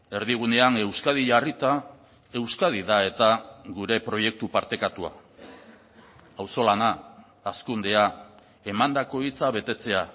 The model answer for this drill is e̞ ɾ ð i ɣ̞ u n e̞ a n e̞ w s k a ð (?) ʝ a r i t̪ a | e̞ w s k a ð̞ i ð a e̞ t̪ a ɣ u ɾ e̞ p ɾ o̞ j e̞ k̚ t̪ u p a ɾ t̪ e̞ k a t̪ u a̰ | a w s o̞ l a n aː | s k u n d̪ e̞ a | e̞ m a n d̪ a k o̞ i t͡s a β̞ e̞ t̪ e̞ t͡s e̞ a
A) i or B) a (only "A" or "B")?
A